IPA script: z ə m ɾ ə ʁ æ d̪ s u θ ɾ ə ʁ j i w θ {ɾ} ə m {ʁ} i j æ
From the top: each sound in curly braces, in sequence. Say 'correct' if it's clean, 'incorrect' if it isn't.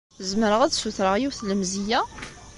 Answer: incorrect: l, incorrect: z

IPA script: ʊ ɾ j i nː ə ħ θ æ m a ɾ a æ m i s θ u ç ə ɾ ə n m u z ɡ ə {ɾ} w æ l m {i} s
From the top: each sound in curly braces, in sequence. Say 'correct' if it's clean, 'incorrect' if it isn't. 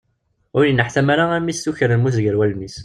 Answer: correct, correct

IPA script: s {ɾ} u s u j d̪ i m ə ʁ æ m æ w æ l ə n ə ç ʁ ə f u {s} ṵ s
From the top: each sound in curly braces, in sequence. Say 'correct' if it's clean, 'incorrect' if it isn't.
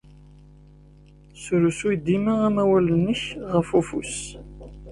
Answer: correct, incorrect: f

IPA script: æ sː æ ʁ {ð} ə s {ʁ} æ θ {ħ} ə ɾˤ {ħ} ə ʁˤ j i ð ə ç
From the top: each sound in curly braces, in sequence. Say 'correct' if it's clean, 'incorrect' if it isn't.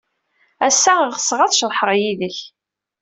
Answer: incorrect: ʁ, correct, incorrect: ʃ, correct

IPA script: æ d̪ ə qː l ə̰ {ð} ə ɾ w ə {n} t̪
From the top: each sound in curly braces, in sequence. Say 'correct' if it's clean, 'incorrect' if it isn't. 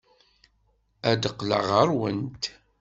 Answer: incorrect: ʁ, correct

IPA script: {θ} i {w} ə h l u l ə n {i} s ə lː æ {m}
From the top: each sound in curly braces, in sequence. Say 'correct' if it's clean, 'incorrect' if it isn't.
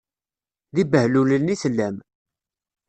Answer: incorrect: ð, incorrect: b, correct, correct

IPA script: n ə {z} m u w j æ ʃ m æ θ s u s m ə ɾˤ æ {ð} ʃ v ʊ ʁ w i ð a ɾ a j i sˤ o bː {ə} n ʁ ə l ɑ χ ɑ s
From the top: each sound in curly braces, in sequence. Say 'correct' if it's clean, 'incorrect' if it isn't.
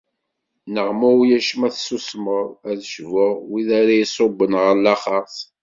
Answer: incorrect: ʁ, correct, correct

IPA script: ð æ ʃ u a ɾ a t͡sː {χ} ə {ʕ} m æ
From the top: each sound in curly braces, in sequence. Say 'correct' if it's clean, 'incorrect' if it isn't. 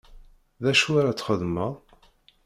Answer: correct, incorrect: ð

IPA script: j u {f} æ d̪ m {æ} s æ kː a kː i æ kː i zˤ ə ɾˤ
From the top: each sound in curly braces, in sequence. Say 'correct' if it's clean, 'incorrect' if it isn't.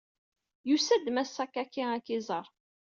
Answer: incorrect: s, correct

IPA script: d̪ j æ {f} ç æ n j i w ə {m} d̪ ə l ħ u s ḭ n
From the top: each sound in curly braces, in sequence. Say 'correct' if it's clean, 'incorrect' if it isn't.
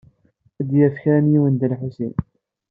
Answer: correct, incorrect: n

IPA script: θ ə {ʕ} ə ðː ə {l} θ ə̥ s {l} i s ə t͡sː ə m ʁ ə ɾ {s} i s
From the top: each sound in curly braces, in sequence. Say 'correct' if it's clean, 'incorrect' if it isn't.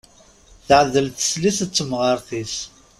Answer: correct, correct, correct, incorrect: θ

